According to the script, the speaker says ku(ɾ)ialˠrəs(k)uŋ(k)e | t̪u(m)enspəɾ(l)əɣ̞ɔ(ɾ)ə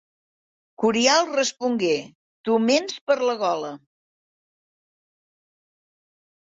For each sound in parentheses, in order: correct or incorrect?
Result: correct, incorrect, incorrect, correct, correct, incorrect

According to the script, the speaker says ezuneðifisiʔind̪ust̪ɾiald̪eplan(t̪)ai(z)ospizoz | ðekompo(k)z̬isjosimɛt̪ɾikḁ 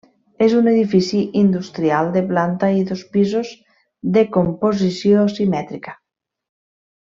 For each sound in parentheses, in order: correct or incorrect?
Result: correct, incorrect, incorrect

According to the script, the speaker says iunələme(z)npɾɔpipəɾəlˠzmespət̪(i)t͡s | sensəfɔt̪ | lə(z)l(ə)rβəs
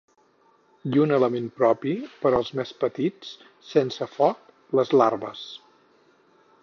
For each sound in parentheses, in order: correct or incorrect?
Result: incorrect, correct, correct, incorrect

